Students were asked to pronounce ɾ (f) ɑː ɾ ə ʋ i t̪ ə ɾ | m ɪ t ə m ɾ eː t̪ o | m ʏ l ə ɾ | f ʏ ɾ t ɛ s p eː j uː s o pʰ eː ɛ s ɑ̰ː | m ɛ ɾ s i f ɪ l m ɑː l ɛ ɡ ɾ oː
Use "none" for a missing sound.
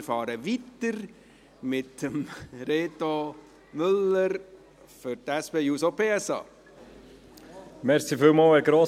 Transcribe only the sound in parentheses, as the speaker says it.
f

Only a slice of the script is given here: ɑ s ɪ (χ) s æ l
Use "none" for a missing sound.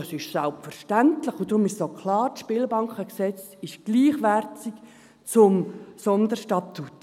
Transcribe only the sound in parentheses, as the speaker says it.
ʃ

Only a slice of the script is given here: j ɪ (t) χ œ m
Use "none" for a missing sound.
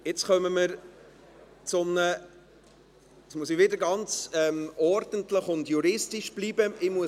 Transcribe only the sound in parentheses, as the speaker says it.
t͡s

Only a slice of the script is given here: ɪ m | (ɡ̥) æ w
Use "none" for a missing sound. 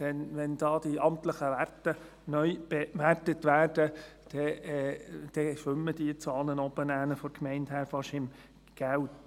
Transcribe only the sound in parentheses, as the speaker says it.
ɡ̥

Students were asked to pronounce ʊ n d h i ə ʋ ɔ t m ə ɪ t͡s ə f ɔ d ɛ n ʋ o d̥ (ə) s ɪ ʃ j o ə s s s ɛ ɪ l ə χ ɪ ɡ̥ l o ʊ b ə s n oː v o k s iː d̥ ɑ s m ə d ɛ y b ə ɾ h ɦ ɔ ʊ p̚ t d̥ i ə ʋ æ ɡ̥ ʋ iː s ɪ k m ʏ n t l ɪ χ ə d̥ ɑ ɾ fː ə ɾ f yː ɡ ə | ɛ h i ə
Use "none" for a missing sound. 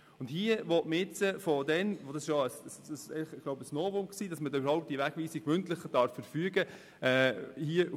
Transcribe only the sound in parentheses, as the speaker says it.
ɑ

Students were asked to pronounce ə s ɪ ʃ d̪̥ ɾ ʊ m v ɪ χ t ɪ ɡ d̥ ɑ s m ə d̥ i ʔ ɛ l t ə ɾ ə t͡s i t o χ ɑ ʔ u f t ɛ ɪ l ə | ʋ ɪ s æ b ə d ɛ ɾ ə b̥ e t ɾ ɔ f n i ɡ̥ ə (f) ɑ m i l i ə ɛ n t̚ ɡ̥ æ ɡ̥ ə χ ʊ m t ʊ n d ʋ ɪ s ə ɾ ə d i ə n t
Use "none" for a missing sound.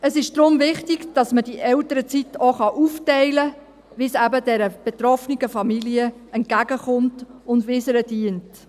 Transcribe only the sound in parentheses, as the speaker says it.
f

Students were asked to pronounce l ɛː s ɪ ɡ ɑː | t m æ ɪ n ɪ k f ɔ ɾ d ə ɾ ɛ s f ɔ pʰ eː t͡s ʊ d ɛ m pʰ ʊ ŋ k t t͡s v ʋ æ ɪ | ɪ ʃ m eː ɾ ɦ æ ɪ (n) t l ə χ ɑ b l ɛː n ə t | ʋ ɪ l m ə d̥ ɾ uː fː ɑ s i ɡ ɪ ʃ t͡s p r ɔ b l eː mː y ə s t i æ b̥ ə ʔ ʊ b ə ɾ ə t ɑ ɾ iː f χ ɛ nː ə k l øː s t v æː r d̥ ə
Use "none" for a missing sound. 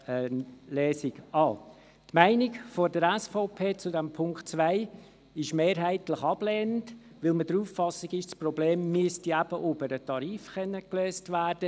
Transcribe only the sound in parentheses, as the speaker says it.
none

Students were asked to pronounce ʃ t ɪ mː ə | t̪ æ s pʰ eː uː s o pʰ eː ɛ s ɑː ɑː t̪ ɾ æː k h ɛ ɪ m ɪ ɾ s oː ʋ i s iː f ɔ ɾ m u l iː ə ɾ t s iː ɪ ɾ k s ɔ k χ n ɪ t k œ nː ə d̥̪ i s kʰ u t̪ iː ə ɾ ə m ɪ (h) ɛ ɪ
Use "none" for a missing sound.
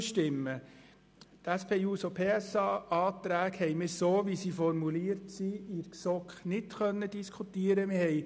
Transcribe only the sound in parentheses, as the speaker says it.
h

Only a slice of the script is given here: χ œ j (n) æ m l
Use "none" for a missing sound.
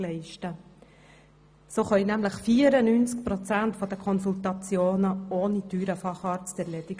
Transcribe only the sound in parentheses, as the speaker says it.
n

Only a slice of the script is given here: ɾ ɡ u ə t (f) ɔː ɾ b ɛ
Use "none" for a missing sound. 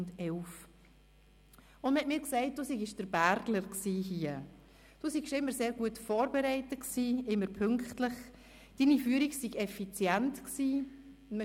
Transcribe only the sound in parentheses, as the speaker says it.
f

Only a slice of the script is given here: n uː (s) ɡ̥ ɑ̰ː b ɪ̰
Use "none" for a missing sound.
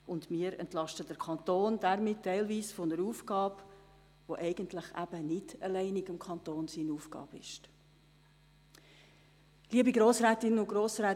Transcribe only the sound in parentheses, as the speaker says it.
f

